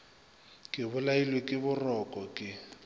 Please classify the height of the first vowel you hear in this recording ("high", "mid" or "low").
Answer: high